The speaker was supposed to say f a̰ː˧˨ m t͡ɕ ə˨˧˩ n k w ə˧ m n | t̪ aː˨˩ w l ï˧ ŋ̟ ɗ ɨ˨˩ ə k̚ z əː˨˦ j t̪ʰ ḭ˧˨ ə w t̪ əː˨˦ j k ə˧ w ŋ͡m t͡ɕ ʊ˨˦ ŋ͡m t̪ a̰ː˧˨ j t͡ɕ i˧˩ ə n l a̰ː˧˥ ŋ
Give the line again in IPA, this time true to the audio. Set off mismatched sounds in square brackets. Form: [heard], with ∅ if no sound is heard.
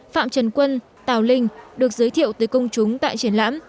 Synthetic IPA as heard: f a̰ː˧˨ m t͡ɕ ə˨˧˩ n k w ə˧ [∅] n | t̪ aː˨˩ w l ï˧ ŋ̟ ɗ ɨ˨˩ ə k̚ z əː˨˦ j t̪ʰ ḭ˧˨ ə w t̪ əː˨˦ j k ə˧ w ŋ͡m t͡ɕ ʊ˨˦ ŋ͡m t̪ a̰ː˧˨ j t͡ɕ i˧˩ ə n l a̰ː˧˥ [m]